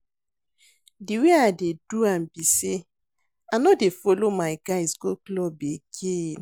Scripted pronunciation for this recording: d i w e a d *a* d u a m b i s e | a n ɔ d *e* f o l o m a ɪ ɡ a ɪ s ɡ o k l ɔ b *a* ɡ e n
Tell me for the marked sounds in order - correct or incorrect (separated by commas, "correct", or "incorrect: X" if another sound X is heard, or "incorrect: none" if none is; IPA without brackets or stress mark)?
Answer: incorrect: e, correct, incorrect: e